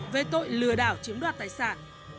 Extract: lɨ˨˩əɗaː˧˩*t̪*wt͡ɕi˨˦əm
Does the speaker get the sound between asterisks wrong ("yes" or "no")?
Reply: yes